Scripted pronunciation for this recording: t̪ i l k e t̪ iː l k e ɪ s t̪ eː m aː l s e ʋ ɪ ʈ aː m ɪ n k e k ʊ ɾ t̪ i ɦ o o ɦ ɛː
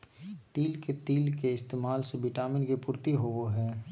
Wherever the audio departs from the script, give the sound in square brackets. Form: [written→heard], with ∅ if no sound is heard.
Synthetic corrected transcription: t̪ [i→iː] l k e t̪ iː l k e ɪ s t̪ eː m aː l s e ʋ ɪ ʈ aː m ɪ n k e [k→p] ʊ ɾ t̪ i ɦ o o ɦ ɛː